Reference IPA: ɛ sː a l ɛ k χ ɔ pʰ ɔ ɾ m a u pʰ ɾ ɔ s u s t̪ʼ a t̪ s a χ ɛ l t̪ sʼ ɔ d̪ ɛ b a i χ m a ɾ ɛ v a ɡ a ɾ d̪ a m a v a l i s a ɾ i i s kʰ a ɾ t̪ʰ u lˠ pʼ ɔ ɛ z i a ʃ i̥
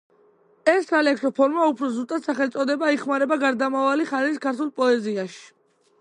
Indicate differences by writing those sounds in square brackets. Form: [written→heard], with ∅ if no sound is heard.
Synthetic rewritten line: ɛ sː a l ɛ k [χ→s] ɔ pʰ ɔ ɾ m a u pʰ ɾ ɔ [s→z] u s t̪ʼ a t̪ s a χ ɛ l t̪ sʼ ɔ d̪ ɛ b a i χ m a ɾ ɛ [v→b] a ɡ a ɾ d̪ a m a v a l i [s→χ] a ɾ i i s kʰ a ɾ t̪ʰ u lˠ pʼ ɔ ɛ z i a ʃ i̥